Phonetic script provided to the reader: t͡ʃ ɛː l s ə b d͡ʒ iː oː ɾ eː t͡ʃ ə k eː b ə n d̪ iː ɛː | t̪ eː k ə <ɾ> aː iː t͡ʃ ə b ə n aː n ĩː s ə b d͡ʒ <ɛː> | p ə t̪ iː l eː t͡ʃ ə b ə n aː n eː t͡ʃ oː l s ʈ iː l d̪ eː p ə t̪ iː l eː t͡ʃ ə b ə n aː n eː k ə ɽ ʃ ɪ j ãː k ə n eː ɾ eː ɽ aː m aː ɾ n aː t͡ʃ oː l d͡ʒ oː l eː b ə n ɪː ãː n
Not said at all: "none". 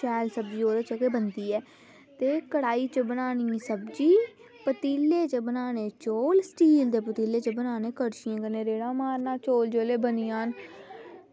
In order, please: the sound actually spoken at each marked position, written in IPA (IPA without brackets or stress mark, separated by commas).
ɽ, iː